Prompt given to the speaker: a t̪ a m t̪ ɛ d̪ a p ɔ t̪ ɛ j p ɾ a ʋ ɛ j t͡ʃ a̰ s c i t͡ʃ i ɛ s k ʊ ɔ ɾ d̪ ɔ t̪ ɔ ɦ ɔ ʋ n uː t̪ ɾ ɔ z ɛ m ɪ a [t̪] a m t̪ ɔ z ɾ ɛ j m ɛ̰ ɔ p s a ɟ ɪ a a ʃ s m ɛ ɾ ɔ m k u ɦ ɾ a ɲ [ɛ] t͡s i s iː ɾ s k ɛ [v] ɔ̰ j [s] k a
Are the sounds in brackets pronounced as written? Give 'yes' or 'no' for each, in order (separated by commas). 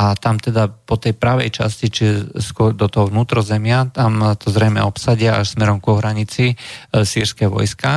yes, no, no, yes